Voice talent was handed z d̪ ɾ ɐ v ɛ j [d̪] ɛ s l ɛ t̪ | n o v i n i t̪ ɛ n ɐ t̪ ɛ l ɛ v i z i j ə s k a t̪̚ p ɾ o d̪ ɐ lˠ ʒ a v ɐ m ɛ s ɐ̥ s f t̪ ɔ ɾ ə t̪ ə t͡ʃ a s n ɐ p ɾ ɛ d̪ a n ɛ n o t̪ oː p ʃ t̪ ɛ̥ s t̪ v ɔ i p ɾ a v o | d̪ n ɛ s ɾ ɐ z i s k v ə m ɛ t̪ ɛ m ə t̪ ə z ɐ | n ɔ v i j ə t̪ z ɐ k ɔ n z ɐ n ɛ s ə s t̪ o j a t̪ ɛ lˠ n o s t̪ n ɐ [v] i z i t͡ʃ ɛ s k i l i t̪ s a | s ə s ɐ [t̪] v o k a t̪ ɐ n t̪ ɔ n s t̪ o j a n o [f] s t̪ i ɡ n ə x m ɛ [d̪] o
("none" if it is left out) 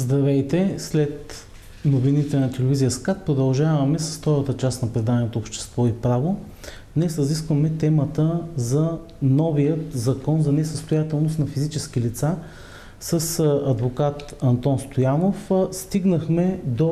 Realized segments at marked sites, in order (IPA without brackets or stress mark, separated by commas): t̪, f, d̪, f, d̪